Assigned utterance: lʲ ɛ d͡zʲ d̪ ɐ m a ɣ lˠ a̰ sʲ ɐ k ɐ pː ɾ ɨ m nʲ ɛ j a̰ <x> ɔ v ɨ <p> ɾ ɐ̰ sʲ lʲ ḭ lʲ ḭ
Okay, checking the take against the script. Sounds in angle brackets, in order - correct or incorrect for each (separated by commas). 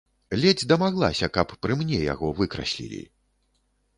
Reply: incorrect, incorrect